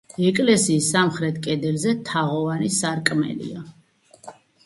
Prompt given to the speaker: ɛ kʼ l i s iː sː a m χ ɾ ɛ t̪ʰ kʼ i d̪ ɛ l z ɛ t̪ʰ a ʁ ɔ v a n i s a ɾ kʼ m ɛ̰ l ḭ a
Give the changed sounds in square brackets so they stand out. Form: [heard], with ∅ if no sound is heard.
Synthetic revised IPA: ɛ kʼ l [ɛ] s iː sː a m χ ɾ ɛ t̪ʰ kʼ [ɛ] d̪ ɛ l z ɛ t̪ʰ a ʁ ɔ v a n i s a ɾ kʼ m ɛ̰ l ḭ a